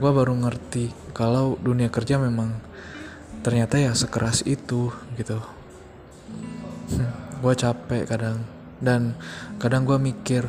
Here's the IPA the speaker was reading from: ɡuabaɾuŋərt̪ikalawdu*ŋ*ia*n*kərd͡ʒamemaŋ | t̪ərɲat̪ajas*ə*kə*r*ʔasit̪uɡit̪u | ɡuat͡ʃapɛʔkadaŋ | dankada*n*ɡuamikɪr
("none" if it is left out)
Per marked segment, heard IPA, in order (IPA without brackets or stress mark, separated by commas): n, none, ə, ɾ, ŋ